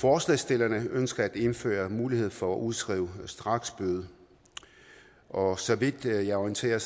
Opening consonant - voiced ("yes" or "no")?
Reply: no